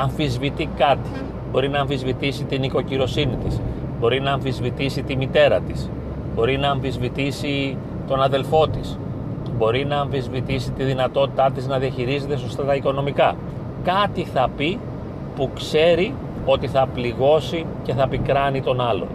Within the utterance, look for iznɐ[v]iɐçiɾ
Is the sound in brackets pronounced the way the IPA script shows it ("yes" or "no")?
no